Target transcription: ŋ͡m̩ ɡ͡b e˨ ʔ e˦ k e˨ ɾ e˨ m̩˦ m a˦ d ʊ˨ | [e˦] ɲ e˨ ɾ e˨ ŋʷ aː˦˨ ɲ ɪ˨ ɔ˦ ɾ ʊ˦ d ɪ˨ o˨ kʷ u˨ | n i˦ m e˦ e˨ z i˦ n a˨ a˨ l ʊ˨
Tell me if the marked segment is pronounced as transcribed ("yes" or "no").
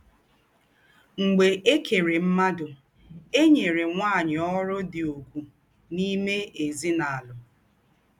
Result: yes